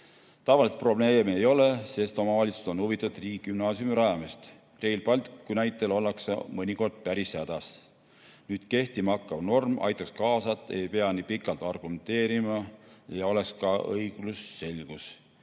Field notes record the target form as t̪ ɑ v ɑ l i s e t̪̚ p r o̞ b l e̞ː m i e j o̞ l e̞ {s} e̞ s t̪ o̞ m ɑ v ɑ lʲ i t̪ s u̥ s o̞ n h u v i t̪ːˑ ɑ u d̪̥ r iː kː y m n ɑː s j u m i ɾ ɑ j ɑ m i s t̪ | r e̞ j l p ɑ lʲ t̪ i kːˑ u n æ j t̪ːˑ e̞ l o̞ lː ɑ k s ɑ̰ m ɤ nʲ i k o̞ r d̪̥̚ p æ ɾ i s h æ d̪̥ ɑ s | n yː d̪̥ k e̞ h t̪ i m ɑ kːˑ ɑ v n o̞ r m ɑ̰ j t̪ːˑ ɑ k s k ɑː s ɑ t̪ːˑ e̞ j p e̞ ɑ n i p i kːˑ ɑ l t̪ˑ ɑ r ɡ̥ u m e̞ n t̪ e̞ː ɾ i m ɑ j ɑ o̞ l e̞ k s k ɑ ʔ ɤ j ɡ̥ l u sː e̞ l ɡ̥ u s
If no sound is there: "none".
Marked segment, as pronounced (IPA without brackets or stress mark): s